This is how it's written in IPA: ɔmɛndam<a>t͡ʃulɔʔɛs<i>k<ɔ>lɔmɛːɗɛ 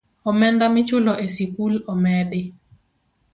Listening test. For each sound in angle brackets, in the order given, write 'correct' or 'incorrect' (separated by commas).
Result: incorrect, correct, incorrect